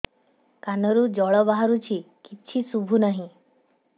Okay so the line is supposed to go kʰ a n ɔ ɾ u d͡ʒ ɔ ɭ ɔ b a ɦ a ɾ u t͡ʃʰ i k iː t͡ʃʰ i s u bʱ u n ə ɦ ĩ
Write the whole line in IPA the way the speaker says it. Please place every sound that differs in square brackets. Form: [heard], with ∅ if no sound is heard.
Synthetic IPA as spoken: [k] a n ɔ ɾ u d͡ʒ ɔ ɭ ɔ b a ɦ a ɾ u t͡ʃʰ i k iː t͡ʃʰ i s u bʱ u n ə ɦ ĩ